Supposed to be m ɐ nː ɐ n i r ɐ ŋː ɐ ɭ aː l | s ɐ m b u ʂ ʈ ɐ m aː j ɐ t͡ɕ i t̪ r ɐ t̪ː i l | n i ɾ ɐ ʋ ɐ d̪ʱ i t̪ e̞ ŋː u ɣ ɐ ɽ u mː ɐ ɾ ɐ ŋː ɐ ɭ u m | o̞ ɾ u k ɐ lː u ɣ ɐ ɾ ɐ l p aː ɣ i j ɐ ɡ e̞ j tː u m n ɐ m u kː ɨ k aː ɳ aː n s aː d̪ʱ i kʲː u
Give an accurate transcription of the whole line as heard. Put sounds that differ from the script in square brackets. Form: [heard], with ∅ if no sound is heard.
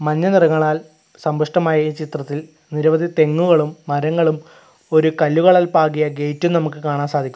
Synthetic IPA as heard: m ɐ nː ɐ n i r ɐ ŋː ɐ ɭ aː l | s ɐ m b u ʂ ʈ ɐ m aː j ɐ t͡ɕ i t̪ r ɐ t̪ː i l | n i ɾ ɐ ʋ ɐ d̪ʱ i t̪ e̞ ŋː u ɣ ɐ [ɭ] u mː ɐ ɾ ɐ ŋː ɐ ɭ u m | o̞ ɾ u k ɐ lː u ɣ ɐ [ɭ] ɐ l p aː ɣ i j ɐ ɡ e̞ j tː u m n ɐ m u kː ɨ k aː ɳ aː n s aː d̪ʱ i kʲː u